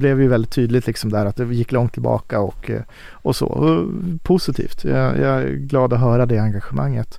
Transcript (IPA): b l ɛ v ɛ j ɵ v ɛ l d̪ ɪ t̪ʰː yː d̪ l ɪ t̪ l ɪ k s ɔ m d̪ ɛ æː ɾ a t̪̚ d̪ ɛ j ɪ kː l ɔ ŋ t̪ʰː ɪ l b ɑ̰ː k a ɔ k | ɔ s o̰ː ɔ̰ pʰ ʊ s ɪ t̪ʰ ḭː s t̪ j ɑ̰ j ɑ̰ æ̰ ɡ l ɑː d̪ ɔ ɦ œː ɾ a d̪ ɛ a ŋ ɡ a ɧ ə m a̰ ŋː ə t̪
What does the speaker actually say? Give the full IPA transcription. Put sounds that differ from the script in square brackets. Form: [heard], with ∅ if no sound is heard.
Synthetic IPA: b l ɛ v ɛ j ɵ v ɛ l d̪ ɪ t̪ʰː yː d̪ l ɪ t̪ l ɪ k s ɔ m d̪ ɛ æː ɾ a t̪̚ d̪ ɛ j ɪ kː l ɔ ŋ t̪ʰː ɪ l b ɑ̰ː k a ɔ k | ɔ s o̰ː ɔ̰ pʰ ʊ s ɪ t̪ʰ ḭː [f] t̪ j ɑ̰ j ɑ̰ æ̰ ɡ l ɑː d̪ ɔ ɦ œː ɾ a d̪ ɛ a ŋ ɡ a ɧ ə m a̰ ŋː ə t̪